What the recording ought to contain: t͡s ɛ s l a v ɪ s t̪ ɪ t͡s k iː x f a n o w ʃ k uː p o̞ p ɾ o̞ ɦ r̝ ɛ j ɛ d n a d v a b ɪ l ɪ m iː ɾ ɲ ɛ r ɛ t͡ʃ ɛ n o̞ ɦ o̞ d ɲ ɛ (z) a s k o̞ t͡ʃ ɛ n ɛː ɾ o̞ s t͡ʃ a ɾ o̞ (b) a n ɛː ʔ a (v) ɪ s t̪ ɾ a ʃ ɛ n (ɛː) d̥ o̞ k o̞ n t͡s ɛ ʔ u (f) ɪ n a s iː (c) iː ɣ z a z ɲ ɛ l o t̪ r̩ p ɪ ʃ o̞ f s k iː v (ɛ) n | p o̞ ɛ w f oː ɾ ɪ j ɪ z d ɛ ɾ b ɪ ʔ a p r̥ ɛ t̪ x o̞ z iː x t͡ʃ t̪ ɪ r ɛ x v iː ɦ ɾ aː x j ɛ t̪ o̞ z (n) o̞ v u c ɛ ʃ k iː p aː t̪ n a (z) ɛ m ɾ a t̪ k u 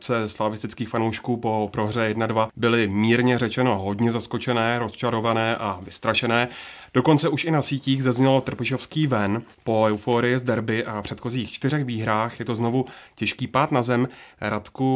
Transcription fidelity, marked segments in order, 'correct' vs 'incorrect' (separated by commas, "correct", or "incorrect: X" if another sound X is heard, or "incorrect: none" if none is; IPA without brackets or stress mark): correct, incorrect: v, correct, correct, incorrect: ʃ, correct, correct, correct, correct